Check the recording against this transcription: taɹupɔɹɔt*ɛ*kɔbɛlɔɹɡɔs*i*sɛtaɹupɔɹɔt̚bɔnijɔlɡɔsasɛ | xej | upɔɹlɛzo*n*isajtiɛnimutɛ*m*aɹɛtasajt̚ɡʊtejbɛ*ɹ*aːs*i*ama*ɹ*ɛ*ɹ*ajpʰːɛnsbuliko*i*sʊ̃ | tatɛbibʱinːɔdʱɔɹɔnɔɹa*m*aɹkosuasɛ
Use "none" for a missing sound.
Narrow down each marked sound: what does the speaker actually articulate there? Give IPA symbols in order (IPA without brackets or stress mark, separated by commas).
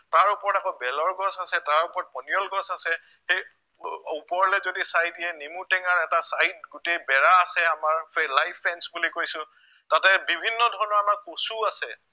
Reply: a, a, d, ŋ, ɹ, ɛ, ɹ, l, j, m